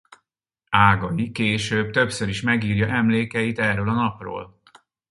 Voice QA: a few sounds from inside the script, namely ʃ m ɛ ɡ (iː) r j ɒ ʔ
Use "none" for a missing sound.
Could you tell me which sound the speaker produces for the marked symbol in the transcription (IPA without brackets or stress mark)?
iː